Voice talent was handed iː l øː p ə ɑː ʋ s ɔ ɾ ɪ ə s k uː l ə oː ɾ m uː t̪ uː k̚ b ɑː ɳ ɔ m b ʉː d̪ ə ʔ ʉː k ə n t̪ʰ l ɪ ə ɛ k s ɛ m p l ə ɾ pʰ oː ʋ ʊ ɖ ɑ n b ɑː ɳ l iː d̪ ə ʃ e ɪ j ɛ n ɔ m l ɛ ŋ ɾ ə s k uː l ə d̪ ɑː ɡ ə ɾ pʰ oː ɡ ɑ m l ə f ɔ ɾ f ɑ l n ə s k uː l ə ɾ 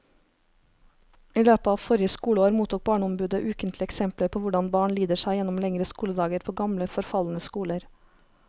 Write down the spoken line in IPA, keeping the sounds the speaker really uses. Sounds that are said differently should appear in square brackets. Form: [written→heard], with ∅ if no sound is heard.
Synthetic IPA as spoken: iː l øː p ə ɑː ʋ [s→f] ɔ ɾ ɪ ə s k uː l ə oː ɾ m uː t̪ uː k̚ b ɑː ɳ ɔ m b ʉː d̪ ə ʔ ʉː k ə n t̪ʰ l ɪ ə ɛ k s ɛ m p l ə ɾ pʰ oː ʋ ʊ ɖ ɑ n b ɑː ɳ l iː d̪ ə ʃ [e→æ] ɪ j ɛ n ɔ m l ɛ ŋ ɾ ə s k uː l ə d̪ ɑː ɡ ə ɾ pʰ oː ɡ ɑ m l ə f ɔ ɾ f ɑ l n ə s k uː l ə ɾ